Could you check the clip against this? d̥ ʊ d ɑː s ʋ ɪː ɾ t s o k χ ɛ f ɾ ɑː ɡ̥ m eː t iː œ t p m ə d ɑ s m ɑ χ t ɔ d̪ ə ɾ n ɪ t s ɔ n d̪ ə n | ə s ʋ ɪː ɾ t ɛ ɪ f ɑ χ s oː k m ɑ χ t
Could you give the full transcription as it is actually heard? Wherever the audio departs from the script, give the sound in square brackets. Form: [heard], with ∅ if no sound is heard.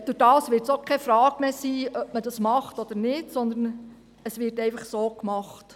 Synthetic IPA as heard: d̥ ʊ d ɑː s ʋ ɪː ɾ t s o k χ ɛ f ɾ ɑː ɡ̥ m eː [s] iː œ [∅] p m ə d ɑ s m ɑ χ t ɔ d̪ ə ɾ n ɪ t s ɔ n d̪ ə n | ə s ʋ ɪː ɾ t ɛ ɪ f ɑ χ s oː k m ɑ χ t